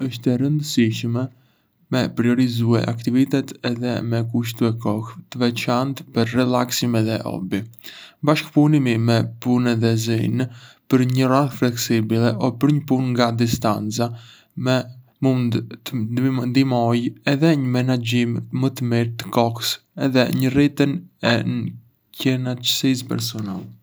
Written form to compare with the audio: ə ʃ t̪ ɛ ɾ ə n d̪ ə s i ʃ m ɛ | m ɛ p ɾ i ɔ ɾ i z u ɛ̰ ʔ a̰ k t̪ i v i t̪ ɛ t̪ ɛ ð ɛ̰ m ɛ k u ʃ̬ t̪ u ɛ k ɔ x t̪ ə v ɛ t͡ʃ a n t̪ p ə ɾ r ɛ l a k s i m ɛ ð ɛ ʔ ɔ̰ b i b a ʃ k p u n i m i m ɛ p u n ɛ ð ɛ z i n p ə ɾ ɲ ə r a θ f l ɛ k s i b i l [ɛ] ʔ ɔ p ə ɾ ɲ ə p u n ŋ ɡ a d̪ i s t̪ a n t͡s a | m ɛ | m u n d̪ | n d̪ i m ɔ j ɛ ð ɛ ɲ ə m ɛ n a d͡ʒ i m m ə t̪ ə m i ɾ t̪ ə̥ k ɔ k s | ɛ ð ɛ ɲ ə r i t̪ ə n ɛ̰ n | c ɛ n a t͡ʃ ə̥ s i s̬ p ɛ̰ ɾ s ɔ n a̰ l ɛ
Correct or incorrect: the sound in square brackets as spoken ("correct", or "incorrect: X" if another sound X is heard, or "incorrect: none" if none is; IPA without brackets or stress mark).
correct